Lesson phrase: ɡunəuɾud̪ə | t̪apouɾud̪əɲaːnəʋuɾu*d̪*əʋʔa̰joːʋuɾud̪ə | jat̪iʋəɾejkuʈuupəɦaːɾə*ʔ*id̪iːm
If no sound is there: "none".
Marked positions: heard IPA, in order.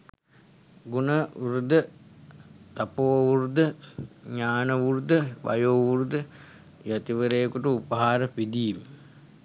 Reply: d̪, p

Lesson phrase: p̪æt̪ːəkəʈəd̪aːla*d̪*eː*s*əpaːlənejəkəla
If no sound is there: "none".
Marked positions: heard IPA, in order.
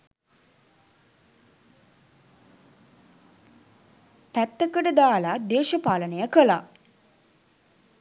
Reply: d̪, ʃ

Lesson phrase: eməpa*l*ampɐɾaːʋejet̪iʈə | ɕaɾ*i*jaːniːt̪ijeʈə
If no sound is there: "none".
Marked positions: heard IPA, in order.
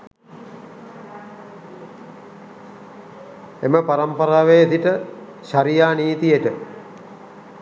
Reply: ɾ, i

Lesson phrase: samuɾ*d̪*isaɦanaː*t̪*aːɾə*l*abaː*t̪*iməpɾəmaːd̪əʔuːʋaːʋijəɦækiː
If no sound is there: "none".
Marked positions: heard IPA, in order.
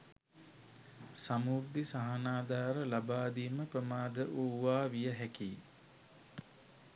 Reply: d̪, d̪, l, d̪

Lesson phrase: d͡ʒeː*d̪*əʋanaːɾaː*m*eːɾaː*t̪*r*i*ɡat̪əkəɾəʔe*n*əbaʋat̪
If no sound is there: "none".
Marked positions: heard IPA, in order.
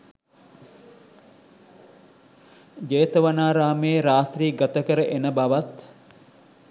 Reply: t̪, m, t̪, iː, n

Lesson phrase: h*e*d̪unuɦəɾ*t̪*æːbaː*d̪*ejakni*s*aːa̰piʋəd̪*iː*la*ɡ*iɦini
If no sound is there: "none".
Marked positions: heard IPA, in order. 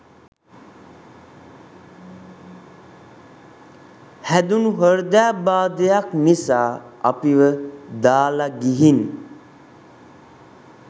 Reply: æ, d̪, d̪, s, aː, ɡ

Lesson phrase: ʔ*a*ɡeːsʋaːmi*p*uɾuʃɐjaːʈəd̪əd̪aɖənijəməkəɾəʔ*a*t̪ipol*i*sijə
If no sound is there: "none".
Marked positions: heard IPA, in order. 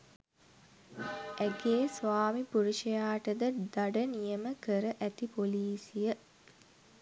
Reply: æ, p, æ, iː

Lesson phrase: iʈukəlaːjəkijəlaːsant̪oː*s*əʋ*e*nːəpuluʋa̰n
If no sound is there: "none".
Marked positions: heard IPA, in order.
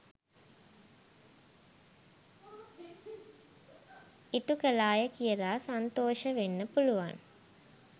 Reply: ʃ, e

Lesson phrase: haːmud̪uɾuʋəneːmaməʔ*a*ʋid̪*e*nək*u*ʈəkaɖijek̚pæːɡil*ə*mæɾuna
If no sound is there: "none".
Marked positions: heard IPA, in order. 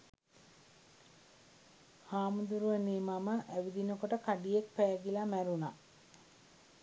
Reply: æ, i, o, a

